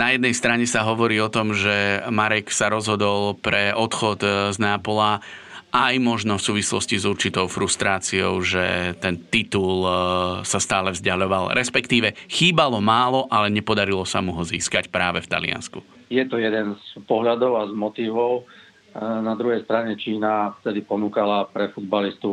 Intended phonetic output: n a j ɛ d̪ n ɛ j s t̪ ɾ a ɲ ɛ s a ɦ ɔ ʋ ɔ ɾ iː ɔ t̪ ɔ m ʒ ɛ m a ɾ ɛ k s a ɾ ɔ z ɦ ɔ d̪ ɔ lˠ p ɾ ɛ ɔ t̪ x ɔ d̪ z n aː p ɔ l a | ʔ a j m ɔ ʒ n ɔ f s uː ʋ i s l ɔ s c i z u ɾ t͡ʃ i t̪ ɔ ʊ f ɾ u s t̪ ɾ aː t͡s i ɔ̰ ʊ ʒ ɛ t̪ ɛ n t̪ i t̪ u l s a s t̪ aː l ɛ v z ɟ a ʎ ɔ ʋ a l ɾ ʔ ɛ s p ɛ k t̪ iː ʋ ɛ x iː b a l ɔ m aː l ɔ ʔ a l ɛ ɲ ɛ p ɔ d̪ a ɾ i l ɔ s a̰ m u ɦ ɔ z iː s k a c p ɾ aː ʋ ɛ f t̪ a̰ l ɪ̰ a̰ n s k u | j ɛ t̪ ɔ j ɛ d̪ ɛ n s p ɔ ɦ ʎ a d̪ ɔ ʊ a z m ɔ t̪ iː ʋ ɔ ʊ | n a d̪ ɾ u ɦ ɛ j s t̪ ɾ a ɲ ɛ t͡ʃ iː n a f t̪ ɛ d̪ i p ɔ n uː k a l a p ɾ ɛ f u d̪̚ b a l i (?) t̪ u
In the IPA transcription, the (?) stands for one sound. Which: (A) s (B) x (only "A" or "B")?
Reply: A